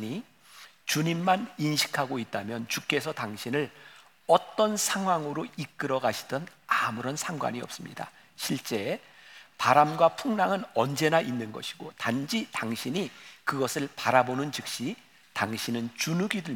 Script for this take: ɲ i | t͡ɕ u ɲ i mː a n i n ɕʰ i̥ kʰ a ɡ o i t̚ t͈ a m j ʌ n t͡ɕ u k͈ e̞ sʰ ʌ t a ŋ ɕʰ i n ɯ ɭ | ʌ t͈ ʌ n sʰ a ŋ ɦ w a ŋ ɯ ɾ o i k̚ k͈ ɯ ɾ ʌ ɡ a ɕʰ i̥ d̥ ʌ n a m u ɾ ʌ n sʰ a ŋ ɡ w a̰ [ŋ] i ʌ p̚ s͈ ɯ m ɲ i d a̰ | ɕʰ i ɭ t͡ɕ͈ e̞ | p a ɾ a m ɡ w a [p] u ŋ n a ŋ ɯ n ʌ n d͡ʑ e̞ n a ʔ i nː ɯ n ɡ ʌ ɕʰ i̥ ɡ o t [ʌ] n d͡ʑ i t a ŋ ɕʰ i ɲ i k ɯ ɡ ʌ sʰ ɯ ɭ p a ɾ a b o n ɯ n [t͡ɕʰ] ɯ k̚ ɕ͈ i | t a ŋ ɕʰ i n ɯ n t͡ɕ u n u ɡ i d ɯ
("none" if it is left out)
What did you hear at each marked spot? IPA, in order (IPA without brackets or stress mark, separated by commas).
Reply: ɲ, pʰ, a, t͡ɕ